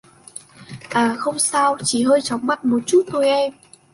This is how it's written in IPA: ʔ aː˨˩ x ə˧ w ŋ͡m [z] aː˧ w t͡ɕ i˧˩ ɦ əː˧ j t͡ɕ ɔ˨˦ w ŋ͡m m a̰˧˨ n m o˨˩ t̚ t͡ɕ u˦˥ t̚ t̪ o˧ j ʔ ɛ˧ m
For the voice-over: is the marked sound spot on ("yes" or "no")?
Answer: no